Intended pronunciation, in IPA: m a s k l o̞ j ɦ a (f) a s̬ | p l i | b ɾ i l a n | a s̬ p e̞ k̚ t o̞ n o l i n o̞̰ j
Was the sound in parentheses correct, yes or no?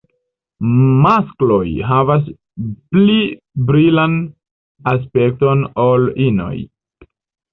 no